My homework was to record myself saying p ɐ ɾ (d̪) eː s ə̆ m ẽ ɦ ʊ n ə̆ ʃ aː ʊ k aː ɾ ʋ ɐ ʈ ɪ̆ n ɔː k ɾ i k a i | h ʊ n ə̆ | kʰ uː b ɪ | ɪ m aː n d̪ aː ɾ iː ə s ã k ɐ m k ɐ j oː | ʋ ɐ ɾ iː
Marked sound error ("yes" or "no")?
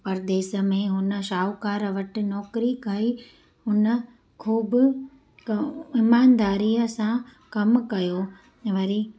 no